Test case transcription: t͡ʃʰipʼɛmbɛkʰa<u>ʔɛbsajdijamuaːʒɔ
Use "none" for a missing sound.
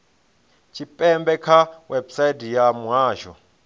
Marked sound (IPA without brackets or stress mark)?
w